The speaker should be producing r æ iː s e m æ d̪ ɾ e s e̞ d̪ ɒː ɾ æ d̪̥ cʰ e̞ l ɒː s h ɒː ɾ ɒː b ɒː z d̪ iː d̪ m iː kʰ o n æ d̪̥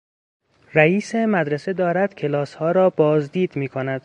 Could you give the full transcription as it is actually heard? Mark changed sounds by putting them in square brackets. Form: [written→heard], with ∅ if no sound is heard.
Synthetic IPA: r æ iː s e m æ d̪ ɾ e s e̞ d̪ ɒː ɾ æ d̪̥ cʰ e̞ l ɒː s h ɒː ɾ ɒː b ɒː z d̪ iː d̪ m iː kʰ o n æ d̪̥

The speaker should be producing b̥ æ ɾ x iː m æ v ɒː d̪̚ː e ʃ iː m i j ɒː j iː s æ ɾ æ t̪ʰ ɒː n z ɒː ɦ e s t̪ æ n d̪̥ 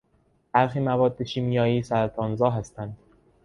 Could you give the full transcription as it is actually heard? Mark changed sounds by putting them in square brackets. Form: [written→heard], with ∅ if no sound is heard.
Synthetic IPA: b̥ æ ɾ x iː m æ v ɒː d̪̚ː e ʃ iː m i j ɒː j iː s æ ɾ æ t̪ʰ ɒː n z ɒː ɦ [e→æ] s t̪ æ n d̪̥

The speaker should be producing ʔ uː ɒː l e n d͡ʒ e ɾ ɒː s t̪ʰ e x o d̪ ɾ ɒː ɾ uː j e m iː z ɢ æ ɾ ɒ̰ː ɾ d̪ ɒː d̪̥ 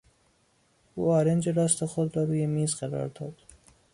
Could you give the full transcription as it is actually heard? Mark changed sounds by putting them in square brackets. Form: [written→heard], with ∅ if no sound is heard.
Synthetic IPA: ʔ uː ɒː [l→ɾ] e n d͡ʒ e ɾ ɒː s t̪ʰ e x o d̪ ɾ ɒː ɾ uː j e m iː z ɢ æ ɾ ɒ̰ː ɾ d̪ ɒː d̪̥

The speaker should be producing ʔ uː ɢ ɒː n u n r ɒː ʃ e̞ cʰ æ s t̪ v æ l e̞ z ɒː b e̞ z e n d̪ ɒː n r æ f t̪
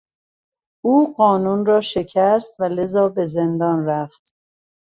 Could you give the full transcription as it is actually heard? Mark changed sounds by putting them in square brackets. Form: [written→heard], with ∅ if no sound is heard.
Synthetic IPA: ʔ uː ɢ ɒː n u n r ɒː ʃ e̞ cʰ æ s t̪ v æ l e̞ z ɒː b e̞ z e n d̪ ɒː n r æ f t̪

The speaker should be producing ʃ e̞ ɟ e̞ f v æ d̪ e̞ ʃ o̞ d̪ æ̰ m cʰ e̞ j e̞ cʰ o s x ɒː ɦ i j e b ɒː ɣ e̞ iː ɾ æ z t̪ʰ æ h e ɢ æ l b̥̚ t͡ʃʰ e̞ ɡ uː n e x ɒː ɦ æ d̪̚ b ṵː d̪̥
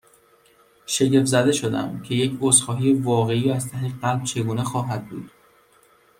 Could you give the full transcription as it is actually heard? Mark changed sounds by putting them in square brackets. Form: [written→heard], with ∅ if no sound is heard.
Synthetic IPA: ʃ e̞ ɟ e̞ f [v→z] æ d̪ e̞ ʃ o̞ d̪ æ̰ m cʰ e̞ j e̞ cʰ o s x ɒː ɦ i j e [b→v] ɒː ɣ e̞ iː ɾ æ z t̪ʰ æ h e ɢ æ l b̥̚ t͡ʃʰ e̞ ɡ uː n e x ɒː ɦ æ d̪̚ b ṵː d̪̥

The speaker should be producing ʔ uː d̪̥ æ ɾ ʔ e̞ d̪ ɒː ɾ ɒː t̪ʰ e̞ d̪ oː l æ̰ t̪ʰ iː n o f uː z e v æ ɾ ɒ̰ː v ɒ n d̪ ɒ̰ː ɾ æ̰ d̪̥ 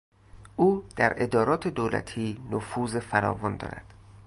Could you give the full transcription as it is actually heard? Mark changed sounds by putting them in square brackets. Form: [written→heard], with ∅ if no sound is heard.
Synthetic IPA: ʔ uː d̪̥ æ ɾ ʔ e̞ d̪ ɒː ɾ ɒː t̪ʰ e̞ d̪ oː l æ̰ t̪ʰ iː n o f uː z e [v→f] æ ɾ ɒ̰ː v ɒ n d̪ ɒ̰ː ɾ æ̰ d̪̥

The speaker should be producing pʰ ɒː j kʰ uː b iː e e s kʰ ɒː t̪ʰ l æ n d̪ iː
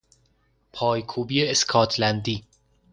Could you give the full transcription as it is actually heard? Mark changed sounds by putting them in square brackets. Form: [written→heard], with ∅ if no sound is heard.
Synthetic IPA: pʰ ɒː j kʰ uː b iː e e s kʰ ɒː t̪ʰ l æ n d̪ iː

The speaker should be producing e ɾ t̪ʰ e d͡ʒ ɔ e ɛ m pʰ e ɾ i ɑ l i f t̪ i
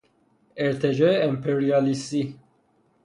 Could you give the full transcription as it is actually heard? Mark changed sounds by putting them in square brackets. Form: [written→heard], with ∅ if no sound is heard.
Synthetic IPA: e ɾ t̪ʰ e d͡ʒ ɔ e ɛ m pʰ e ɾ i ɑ l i [f→s] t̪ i

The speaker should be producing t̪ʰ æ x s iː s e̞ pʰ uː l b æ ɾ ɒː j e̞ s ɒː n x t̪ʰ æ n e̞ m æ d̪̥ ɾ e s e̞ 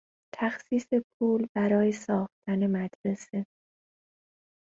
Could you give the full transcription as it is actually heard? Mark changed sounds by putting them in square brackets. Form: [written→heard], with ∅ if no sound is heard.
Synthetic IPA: t̪ʰ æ x s iː s e̞ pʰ uː l b æ ɾ ɒː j e̞ s ɒː [n→∅] x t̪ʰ æ n e̞ m æ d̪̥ ɾ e s e̞

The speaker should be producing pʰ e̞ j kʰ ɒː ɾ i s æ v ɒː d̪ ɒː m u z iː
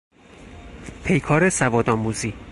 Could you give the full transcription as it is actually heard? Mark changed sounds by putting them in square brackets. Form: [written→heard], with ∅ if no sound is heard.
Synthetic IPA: pʰ e̞ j kʰ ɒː ɾ [i→e] s æ v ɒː d̪ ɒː m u z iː

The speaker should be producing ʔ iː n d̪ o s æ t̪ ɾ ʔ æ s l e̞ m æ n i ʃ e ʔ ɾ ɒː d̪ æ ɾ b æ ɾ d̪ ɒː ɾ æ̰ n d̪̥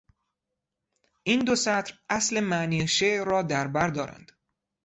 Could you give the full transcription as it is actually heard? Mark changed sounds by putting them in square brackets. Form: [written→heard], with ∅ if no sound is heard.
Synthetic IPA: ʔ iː n d̪ o s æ t̪ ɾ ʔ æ s l e̞ m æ n i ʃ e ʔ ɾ ɒː d̪ æ ɾ b æ ɾ d̪ ɒː ɾ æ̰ n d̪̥

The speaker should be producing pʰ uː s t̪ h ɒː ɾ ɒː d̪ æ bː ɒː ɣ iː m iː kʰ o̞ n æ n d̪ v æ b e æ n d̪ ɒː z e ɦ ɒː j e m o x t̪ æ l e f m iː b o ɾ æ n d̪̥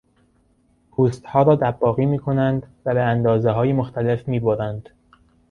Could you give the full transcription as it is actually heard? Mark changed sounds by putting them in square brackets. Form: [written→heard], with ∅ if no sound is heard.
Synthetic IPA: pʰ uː s t̪ h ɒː ɾ ɒː d̪ æ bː ɒː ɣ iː m iː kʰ o̞ n æ n d̪ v æ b e æ n d̪ ɒː z e ɦ ɒː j e m o x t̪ æ l e f m iː b o ɾ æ n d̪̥

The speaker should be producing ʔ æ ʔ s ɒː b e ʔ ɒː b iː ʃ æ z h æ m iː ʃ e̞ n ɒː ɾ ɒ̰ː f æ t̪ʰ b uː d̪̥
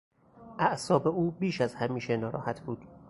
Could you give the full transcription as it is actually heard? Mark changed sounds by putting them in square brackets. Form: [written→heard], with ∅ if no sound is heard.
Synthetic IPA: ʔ æ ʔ s ɒː b e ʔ [ɒː→uː] b iː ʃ æ z h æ m iː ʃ e̞ n ɒː ɾ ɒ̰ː [f→h] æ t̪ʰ b uː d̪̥

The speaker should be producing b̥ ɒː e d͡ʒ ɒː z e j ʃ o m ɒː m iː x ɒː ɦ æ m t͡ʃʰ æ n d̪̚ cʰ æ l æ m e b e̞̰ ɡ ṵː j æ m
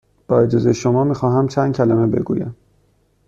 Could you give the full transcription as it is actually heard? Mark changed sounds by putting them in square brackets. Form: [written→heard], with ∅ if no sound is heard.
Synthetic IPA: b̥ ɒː e d͡ʒ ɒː z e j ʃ o m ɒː m iː x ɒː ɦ æ m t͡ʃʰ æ n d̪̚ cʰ æ l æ m e b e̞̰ ɡ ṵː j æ m

